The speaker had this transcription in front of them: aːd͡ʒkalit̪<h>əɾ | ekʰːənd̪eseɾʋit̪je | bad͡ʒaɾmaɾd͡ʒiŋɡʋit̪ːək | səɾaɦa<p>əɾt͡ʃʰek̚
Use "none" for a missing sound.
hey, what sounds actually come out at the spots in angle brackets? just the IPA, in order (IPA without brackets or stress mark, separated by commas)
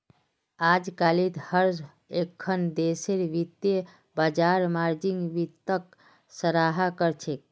h, k